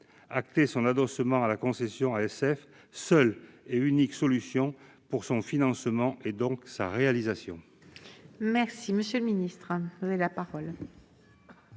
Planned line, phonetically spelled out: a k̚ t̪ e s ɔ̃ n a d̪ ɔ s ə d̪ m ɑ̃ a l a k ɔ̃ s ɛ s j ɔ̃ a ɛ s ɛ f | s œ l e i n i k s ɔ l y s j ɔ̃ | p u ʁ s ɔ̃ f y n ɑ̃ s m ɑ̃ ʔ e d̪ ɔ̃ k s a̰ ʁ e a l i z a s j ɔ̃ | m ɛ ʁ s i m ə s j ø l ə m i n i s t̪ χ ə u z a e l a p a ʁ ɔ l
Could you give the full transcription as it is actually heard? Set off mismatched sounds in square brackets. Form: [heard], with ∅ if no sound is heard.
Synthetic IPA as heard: a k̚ t̪ e s ɔ̃ n a d̪ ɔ s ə [∅] m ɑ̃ a l a k ɔ̃ s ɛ s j ɔ̃ a ɛ s ɛ f | s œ l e [y] n i k s ɔ l y s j ɔ̃ | p u ʁ s ɔ̃ f [i] n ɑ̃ s m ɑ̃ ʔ e d̪ ɔ̃ k s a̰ ʁ e a l i z a s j ɔ̃ | m ɛ ʁ s i m ə s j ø l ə m i n i s t̪ χ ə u z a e l a p a ʁ ɔ l

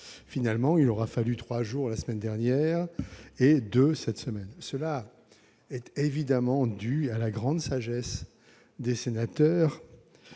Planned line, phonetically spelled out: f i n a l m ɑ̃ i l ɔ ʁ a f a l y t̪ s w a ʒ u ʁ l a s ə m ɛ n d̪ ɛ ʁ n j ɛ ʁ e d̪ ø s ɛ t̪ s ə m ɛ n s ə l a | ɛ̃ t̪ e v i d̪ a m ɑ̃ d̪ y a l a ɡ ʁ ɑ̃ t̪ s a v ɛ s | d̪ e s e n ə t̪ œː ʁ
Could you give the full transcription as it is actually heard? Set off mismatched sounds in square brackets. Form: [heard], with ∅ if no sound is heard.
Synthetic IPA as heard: f i n a l m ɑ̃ i l ɔ ʁ a f a l y t̪ [χ] w a ʒ u ʁ l a s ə m ɛ n d̪ ɛ ʁ n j ɛ ʁ e d̪ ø s ɛ t̪ s ə m ɛ n s ə l a | [ɛ] t̪ e v i d̪ a m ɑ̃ d̪ y a l a ɡ ʁ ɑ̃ [d̪] s a [ʒ] ɛ s | d̪ e s e n [a] t̪ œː ʁ

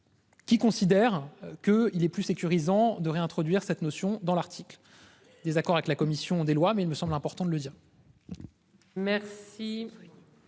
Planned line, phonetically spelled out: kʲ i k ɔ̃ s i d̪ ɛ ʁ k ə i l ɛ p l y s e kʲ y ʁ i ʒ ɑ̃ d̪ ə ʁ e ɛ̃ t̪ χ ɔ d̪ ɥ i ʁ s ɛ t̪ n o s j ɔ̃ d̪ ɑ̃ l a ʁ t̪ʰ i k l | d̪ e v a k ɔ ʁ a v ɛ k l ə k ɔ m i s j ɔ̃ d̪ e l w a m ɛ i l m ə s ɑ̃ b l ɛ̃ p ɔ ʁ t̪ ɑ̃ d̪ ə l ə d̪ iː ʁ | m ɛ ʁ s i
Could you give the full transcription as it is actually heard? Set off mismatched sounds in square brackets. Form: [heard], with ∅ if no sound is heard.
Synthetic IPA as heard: kʲ i k ɔ̃ s i d̪ ɛ ʁ k ə i l ɛ p l y s e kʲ y ʁ i [z] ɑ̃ d̪ ə ʁ e ɛ̃ t̪ χ ɔ d̪ ɥ i ʁ s ɛ t̪ n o s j ɔ̃ d̪ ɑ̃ l a ʁ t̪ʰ i k l | d̪ e [z] a k ɔ ʁ a v ɛ k l [a] k ɔ m i s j ɔ̃ d̪ e l w a m ɛ i l m ə s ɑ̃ b l ɛ̃ p ɔ ʁ t̪ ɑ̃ d̪ ə l ə d̪ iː ʁ | m ɛ ʁ s i

